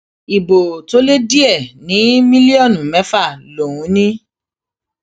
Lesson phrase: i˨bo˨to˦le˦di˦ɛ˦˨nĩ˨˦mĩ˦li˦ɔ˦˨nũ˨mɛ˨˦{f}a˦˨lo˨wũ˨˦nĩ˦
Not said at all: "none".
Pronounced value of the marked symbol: f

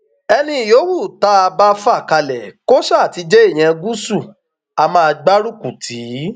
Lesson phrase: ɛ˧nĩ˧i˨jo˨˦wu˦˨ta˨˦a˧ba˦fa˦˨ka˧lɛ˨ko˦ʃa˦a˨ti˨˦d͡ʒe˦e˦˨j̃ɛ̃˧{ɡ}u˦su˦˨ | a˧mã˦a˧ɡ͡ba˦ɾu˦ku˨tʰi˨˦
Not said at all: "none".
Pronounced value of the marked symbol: ɡ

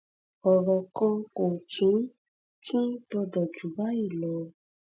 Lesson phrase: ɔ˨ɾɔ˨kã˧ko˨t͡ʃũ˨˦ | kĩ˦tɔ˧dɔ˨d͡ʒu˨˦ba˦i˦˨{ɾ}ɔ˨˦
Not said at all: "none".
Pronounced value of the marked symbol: l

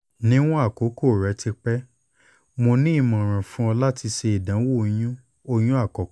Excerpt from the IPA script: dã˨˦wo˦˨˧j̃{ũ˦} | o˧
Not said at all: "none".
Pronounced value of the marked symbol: ũ˦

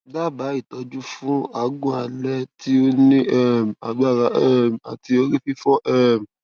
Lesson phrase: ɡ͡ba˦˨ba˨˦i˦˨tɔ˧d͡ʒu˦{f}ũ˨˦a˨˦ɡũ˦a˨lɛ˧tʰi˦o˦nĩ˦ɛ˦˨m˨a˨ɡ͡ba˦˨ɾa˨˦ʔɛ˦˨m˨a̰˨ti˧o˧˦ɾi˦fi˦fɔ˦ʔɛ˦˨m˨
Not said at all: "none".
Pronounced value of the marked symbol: f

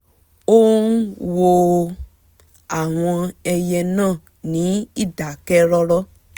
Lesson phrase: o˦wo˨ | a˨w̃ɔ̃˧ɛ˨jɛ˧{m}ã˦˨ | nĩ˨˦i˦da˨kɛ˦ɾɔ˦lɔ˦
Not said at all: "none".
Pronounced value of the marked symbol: n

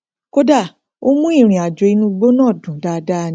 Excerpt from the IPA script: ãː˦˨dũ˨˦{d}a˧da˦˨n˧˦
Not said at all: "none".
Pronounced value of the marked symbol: d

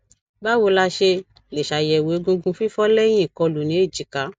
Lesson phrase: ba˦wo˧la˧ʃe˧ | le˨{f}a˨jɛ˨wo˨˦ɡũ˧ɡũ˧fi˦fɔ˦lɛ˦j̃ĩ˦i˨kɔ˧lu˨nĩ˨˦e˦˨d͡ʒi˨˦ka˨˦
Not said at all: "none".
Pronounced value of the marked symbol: ʃ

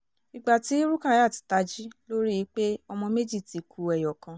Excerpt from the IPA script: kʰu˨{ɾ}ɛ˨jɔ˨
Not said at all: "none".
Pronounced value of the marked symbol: none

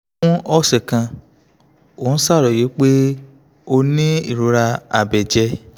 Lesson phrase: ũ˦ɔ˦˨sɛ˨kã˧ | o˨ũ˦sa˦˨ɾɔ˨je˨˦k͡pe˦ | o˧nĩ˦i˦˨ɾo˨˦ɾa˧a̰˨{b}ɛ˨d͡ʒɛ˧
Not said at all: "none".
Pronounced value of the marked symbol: b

